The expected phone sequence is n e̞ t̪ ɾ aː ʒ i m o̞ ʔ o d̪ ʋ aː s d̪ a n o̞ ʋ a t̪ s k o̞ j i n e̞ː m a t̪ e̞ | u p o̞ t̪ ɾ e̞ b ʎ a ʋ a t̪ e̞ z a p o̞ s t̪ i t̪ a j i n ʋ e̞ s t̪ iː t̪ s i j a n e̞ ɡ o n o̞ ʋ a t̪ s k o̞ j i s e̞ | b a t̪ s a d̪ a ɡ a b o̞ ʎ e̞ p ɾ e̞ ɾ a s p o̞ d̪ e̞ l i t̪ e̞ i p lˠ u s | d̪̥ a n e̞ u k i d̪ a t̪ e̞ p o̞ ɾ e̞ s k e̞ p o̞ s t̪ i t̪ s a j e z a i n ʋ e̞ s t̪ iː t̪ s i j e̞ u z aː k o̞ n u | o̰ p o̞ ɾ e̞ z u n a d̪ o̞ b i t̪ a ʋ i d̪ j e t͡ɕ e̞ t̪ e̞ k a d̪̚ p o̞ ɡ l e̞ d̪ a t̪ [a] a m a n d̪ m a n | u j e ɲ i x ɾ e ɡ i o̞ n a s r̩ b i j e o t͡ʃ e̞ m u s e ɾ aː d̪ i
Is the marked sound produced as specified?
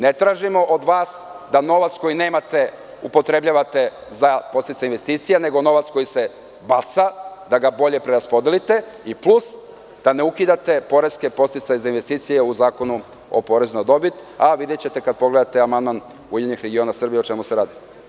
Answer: no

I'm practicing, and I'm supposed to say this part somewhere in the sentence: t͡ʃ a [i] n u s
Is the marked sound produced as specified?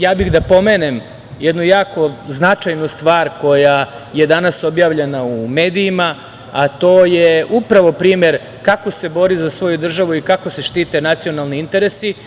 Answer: no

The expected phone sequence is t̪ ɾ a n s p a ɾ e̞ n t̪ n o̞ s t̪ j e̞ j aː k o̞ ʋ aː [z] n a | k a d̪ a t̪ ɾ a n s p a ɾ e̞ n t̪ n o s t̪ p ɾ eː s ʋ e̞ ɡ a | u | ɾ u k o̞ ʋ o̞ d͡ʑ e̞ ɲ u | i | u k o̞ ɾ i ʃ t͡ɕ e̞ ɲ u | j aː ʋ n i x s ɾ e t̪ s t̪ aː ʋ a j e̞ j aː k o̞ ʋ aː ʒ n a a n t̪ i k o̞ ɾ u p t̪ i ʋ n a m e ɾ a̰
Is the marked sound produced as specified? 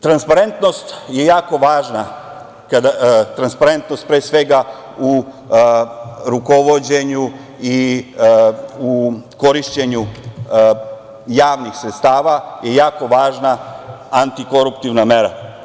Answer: no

